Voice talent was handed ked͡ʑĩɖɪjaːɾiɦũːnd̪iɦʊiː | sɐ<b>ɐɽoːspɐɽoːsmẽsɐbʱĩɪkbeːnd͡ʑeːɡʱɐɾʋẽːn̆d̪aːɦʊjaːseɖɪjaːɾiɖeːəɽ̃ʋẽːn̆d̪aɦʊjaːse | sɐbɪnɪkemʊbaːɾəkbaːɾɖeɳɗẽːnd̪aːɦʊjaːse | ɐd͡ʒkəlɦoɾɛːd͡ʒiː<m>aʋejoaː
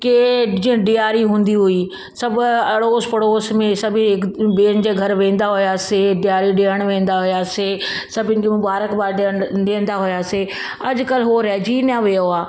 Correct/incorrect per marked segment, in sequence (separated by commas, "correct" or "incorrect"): correct, incorrect